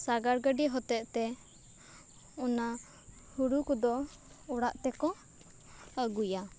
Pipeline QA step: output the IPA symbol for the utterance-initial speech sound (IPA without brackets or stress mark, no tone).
s